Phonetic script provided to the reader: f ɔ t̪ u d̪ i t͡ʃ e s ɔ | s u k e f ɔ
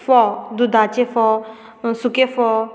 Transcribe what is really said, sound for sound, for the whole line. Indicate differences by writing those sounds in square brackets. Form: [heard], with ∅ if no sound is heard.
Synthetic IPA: f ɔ [d̪] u d̪ [a] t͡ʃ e [f] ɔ | s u k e f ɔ